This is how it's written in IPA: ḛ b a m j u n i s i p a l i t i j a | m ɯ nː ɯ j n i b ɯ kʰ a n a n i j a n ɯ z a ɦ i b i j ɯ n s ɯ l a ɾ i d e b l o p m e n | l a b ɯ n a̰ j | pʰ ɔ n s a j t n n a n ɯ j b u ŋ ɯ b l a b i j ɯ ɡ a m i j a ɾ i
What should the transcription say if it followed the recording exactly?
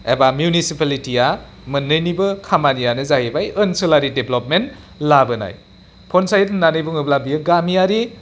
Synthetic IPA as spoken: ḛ b a m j u n i s i p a l i t i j a | m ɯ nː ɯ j n i b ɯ kʰ a m a n i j a n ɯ z a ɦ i b a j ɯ n s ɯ l a ɾ i d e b l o p m e n | l a b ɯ n a̰ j | pʰ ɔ n s a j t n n a n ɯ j b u ŋ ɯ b l a b i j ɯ ɡ a m i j a ɾ i